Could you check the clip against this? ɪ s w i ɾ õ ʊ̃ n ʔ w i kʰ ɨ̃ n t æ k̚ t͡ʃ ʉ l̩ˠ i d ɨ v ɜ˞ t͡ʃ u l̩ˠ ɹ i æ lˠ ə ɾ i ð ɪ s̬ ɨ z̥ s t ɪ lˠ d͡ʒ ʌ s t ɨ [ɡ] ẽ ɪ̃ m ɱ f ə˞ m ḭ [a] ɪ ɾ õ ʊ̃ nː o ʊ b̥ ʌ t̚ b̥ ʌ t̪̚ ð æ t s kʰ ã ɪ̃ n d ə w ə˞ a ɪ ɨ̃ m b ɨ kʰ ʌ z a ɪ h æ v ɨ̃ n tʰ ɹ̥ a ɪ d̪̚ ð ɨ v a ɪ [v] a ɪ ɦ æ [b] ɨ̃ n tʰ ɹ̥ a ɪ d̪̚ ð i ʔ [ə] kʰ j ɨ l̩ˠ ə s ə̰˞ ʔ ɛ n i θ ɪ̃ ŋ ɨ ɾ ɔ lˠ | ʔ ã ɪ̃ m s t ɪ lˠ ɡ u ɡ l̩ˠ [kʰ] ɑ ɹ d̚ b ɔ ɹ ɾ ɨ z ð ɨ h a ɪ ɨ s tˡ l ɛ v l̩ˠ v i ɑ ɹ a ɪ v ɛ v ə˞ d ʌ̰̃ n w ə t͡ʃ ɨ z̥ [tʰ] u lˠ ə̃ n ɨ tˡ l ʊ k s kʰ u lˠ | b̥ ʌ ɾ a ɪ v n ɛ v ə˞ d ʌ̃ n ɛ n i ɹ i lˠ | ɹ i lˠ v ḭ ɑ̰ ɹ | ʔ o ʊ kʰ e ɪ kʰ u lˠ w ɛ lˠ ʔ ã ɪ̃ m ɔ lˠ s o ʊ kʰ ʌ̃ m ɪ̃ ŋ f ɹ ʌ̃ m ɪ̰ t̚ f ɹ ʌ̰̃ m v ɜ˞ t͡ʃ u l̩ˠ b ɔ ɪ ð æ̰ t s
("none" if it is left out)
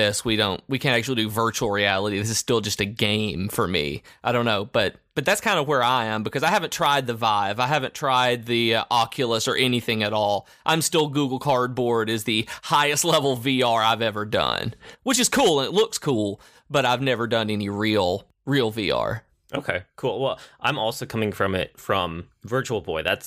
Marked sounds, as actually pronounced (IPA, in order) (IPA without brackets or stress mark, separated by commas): ɡ, a, v, v, ɑ, kʰ, kʰ